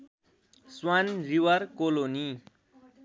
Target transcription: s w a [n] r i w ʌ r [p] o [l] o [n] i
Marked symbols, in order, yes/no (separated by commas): yes, no, yes, yes